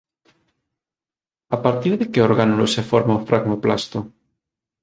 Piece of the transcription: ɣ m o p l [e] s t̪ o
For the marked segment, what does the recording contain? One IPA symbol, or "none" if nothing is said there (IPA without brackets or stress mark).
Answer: a